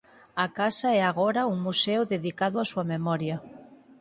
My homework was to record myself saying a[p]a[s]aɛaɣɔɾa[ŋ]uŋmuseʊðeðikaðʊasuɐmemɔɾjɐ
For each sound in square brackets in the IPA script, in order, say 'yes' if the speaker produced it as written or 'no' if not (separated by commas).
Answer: no, yes, no